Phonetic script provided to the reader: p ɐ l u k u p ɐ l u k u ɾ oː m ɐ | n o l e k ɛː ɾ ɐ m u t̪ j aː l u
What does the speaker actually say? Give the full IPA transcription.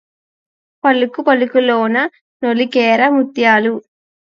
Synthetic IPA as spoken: p ɐ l u k u p ɐ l u k u l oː n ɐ | n o l i k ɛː ɾ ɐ m u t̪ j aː l u